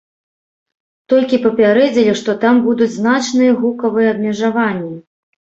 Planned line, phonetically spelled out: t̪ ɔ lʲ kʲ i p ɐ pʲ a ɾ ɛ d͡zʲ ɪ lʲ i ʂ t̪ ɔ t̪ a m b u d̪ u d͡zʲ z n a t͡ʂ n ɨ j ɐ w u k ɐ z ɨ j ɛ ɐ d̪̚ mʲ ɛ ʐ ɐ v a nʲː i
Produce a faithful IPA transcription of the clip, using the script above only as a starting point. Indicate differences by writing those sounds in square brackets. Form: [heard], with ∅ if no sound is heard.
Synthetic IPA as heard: t̪ ɔ lʲ kʲ i p ɐ pʲ a ɾ ɛ d͡zʲ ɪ lʲ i ʂ t̪ ɔ t̪ a m b u d̪ u d͡zʲ z n a t͡ʂ n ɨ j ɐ [ɣ] u k ɐ [v] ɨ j ɛ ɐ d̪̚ mʲ ɛ ʐ [a] v a nʲː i